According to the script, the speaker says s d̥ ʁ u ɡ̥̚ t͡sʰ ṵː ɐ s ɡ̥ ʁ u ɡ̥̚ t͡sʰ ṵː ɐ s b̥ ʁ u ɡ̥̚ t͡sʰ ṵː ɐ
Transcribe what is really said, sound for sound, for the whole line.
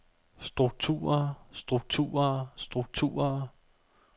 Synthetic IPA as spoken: s d̥ ʁ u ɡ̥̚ t͡sʰ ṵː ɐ s d̥ ʁ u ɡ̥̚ t͡sʰ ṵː ɐ s d̥ ʁ u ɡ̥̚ t͡sʰ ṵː ɐ